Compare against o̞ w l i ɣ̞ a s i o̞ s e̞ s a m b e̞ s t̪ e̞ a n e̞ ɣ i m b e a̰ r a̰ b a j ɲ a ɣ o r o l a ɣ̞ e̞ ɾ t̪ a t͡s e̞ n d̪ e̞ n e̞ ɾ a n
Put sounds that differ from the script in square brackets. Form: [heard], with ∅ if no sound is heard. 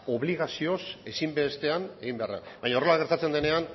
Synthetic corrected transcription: o̞ [β] l i ɣ̞ a s i o̞ s e̞ s [i] m b e̞ s t̪ e̞ a n e̞ ɣ i m b e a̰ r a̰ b a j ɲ a [∅] o r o l a ɣ̞ e̞ ɾ t̪ a t͡s e̞ n d̪ e̞ n e̞ [∅] a n